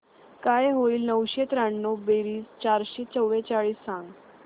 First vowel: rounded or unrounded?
unrounded